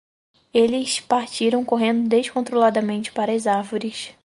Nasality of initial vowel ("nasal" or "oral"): oral